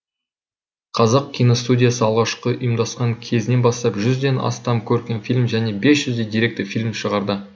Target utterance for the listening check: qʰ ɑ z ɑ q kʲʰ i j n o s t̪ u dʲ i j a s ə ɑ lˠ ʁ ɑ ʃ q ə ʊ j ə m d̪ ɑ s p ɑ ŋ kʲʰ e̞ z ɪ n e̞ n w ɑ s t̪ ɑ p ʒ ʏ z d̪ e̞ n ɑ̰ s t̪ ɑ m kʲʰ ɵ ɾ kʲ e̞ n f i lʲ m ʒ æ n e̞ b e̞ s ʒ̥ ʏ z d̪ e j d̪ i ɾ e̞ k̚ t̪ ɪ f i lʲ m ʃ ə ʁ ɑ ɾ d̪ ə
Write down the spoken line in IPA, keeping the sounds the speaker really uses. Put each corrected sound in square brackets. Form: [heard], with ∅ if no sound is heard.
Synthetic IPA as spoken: qʰ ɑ z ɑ q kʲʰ i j n o s t̪ u dʲ i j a s ə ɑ lˠ ʁ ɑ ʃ q ə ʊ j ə m d̪ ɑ s [q] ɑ ŋ kʲʰ e̞ z ɪ n e̞ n [b] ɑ s t̪ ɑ p ʒ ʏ z d̪ e̞ n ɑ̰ s t̪ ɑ m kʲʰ ɵ ɾ kʲ e̞ n f i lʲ m ʒ æ n e̞ b e̞ s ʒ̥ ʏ z d̪ e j d̪ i ɾ e̞ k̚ t̪ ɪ f i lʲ m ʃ ə ʁ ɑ ɾ d̪ ə